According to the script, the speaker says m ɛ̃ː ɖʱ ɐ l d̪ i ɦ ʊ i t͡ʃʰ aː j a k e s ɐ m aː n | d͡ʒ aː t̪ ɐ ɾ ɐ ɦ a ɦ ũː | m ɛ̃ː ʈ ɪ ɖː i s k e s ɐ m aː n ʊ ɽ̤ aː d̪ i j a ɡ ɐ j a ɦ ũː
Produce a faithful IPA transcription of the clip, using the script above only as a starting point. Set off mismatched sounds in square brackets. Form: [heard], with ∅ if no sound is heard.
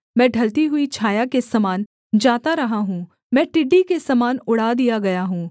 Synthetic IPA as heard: m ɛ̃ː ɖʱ ɐ l [t̪] i ɦ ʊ i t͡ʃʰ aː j a k e s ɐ m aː n | d͡ʒ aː t̪ [a] ɾ ɐ ɦ a ɦ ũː | m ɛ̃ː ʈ ɪ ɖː i [∅] k e s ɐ m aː n ʊ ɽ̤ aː d̪ i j a ɡ ɐ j a ɦ ũː